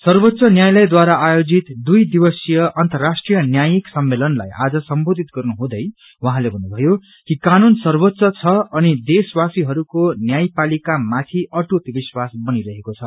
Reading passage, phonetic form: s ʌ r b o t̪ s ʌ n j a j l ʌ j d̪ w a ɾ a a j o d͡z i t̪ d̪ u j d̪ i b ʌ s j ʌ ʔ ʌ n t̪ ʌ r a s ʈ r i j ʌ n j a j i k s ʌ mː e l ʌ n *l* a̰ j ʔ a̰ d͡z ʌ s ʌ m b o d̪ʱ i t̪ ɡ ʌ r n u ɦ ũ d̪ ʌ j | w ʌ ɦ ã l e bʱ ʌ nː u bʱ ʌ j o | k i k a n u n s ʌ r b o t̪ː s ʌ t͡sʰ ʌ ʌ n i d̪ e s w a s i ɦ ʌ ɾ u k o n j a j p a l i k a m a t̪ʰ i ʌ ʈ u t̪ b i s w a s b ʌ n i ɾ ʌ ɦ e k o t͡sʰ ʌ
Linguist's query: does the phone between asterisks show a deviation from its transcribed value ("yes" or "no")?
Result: no